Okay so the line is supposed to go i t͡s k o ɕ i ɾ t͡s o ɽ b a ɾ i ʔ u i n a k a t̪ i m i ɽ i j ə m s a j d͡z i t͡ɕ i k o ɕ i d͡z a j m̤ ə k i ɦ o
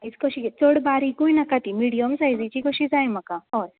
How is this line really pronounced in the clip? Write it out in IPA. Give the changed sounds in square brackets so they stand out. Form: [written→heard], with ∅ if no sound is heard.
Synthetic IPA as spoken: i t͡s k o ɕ i [ɾ→∅] t͡s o ɽ b a ɾ i [ʔ→k] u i n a k a t̪ i m i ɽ i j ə m s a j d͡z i t͡ɕ i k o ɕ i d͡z a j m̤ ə k [i→a] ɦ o

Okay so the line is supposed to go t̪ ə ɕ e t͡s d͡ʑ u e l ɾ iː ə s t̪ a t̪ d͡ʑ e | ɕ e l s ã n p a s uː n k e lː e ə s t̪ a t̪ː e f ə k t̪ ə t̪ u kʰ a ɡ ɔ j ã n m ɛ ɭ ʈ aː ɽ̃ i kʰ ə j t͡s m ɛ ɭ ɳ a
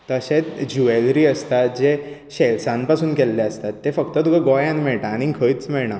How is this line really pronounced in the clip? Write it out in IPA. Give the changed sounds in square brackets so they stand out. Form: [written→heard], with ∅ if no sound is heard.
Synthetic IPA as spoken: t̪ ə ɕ e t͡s d͡ʑ u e l ɾ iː ə s t̪ a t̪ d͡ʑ e | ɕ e l s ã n p a s uː n k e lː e ə s t̪ a t̪ː e f ə k t̪ ə t̪ u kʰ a ɡ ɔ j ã n m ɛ ɭ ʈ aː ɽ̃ i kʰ ə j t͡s m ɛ ɭ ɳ a

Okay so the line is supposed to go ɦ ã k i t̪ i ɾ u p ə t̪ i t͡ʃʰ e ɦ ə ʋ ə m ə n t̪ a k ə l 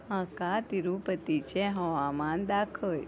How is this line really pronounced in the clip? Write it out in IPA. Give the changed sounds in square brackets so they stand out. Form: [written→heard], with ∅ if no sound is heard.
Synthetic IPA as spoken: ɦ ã k [i→a] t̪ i ɾ u p ə t̪ i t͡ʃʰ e ɦ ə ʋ [ə→a] m [ə→a] n [t̪→d̪] a [k→kʰ] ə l

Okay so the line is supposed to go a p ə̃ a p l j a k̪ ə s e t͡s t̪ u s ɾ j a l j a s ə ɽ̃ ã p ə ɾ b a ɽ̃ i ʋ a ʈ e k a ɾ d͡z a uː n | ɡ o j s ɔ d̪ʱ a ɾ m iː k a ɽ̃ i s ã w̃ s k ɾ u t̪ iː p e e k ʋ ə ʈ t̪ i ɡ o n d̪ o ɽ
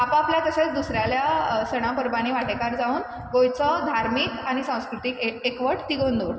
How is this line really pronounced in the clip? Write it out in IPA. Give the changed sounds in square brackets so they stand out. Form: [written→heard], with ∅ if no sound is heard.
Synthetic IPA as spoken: a p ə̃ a p l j a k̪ ə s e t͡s [t̪→d̪] u s ɾ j a l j a s ə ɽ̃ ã p ə ɾ b a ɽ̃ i ʋ a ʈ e k a ɾ d͡z a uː n | ɡ o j [s→t͡s] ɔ d̪ʱ a ɾ m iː k a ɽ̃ i s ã w̃ s k ɾ u t̪ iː [p→k] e e k ʋ ə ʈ t̪ i ɡ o n d̪ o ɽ

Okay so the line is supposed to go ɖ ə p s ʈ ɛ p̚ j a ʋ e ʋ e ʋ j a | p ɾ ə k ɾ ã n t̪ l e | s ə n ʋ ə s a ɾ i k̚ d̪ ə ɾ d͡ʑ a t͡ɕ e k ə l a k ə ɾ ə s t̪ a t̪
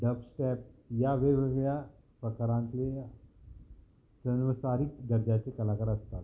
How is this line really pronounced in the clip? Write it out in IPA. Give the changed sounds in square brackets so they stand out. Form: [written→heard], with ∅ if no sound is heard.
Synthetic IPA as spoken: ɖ ə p s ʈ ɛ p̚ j a ʋ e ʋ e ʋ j a | p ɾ ə k ɾ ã n t̪ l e | s ə n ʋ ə s a ɾ i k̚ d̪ ə ɾ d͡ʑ a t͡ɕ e k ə l a k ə ɾ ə s t̪ a t̪

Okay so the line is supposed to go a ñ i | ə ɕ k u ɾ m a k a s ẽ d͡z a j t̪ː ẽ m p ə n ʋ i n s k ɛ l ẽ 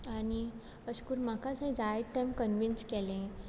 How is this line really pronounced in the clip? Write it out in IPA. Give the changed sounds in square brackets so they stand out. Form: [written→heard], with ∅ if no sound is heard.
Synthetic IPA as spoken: a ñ i | ə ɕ k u ɾ m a k a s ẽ d͡z a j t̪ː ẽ m [p→k] ə n ʋ i n s k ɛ l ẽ

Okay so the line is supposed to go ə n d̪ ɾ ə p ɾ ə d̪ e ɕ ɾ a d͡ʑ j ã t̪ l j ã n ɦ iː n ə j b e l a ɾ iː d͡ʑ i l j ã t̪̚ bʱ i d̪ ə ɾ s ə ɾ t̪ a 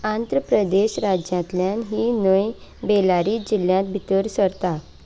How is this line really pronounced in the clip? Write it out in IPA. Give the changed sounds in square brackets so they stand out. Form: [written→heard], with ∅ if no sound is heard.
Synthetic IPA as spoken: [ə→a] n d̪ ɾ ə p ɾ ə d̪ e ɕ ɾ a d͡ʑ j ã t̪ l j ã n ɦ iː n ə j b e l a ɾ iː d͡ʑ i l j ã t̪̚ bʱ i [d̪→t̪] ə ɾ s ə ɾ t̪ a

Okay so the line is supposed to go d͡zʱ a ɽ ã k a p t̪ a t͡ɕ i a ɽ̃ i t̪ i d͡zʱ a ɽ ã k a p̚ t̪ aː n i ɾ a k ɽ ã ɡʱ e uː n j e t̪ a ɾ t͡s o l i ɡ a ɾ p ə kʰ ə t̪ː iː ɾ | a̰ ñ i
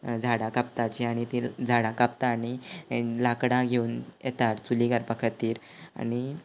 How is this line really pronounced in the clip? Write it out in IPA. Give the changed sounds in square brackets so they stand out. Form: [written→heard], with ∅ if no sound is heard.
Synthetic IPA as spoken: d͡zʱ a ɽ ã k a p t̪ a t͡ɕ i a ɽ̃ i t̪ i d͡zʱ a ɽ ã k a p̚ t̪ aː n i [ɾ→l] a k ɽ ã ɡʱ e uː n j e t̪ a ɾ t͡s [o→u] l i ɡ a ɾ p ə kʰ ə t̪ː iː ɾ | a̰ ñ i

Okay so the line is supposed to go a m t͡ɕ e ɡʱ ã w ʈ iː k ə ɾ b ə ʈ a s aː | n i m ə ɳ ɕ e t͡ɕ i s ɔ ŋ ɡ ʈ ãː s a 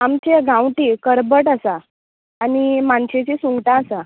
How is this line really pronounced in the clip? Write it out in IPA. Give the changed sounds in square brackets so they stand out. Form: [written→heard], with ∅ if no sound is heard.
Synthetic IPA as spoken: a m t͡ɕ e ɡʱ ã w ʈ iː k ə ɾ b ə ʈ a s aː | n i m [ə→a] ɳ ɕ e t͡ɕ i s [ɔ→u] ŋ ɡ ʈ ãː s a

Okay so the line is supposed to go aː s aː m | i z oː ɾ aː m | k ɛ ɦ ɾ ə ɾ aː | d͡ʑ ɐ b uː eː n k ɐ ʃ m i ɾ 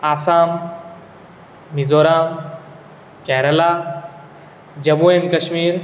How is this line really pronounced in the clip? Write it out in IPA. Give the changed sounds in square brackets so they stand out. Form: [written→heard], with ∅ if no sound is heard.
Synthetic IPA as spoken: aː s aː m | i z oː ɾ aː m | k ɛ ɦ ɾ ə [ɾ→l] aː | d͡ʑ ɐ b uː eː n k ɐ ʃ m [i→iː] ɾ

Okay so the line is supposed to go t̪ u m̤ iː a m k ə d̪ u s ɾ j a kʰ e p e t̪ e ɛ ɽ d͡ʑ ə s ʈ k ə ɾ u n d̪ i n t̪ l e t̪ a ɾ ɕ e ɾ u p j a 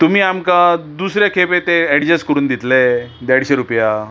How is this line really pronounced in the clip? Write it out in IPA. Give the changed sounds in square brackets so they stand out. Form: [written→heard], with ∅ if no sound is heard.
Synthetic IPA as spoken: t̪ u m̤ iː a m k [ə→a] d̪ u s ɾ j a kʰ e p e t̪ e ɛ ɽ d͡ʑ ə s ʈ k ə ɾ [u→uː] n d̪ i [n→∅] t̪ l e [t̪→d̪] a [ɾ→ɽ] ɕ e ɾ u p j a

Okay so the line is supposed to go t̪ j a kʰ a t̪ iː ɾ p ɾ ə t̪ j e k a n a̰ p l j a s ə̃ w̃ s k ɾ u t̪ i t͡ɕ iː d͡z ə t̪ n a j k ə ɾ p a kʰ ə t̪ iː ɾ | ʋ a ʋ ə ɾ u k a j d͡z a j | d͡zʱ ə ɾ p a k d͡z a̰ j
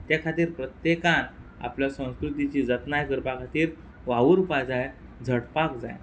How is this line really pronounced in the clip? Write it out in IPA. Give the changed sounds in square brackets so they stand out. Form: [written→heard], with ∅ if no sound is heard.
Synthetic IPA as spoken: t̪ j a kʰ a t̪ iː ɾ p ɾ ə t̪ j e k a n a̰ p l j a s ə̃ w̃ s k ɾ u t̪ i t͡ɕ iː d͡z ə t̪ n a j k ə ɾ p a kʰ [ə→a] t̪ iː ɾ | ʋ a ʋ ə ɾ u [k→p] a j d͡z a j | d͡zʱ ə [ɾ→ɽ] p a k d͡z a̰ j

